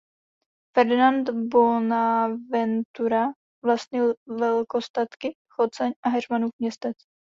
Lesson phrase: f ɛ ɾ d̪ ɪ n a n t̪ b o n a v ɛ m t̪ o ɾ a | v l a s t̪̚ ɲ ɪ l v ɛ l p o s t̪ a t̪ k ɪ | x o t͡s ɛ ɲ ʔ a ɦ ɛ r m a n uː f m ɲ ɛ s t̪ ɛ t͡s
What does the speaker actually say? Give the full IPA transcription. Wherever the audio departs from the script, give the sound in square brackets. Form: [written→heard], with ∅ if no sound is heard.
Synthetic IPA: f ɛ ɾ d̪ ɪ n a n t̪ b o n a v ɛ [m→n] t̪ [o→u] ɾ a | v l a s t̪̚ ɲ ɪ l v ɛ l [p→k] o s t̪ a t̪ k ɪ | x o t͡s ɛ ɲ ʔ a ɦ ɛ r m a n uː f m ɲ ɛ s t̪ ɛ t͡s